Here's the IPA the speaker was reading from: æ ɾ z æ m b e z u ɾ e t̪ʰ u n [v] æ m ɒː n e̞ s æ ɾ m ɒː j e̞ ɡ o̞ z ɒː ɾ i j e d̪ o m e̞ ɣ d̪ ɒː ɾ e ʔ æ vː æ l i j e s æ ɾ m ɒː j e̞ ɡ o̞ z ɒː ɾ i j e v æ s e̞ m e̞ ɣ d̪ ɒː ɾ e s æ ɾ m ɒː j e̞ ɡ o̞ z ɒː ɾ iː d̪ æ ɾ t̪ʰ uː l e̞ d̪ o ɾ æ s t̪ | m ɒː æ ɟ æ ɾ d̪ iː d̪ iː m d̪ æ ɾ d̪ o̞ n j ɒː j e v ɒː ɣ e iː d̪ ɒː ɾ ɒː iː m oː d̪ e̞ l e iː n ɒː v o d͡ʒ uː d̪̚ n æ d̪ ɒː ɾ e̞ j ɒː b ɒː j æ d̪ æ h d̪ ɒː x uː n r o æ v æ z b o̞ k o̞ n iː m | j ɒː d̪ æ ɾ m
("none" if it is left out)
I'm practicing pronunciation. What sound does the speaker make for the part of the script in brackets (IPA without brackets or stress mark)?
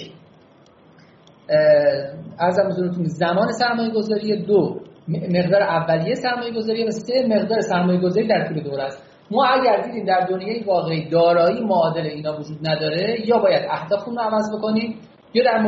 z